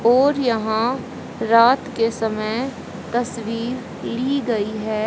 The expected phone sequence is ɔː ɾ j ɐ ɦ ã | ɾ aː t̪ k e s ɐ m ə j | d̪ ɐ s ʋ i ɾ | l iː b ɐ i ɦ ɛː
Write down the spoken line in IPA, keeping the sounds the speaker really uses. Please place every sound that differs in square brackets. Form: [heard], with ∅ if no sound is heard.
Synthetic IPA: ɔː ɾ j ɐ ɦ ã | ɾ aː t̪ k e s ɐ m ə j | [t̪] ɐ s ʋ [iː] ɾ | l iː [ɡ] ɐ i ɦ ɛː